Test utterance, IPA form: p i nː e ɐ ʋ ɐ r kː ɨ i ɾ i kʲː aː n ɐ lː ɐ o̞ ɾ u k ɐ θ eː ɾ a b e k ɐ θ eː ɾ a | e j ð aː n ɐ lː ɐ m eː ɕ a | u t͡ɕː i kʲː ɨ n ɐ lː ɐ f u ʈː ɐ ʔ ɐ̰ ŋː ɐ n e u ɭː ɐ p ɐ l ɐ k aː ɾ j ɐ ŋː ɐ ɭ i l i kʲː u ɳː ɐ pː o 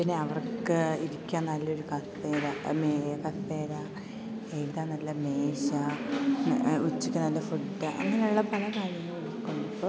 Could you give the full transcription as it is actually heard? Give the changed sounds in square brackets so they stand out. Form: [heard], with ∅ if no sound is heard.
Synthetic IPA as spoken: p i nː e ɐ ʋ ɐ r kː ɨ i ɾ i kʲː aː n ɐ lː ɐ o̞ ɾ u k ɐ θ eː ɾ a [m] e k ɐ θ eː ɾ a | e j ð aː n ɐ lː ɐ m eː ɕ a | u t͡ɕː i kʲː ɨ n ɐ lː ɐ f u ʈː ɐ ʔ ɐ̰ ŋː ɐ n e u ɭː ɐ p ɐ l ɐ k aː ɾ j ɐ ŋː ɐ ɭ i [ɽ] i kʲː u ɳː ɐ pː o